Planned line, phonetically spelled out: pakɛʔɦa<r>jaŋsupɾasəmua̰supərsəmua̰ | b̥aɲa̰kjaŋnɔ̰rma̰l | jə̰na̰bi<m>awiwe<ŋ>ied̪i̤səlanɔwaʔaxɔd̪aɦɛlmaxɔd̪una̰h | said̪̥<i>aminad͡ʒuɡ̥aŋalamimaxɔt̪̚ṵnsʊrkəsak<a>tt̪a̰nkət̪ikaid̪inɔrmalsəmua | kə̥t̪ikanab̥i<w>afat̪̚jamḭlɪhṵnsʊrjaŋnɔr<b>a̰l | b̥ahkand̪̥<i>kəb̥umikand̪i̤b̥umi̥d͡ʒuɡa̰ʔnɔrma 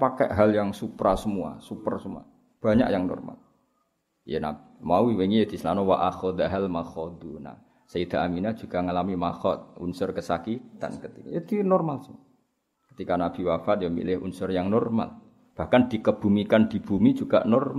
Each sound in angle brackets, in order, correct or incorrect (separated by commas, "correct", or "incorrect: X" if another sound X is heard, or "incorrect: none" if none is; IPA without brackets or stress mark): incorrect: l, correct, correct, incorrect: a, incorrect: i, correct, incorrect: m, correct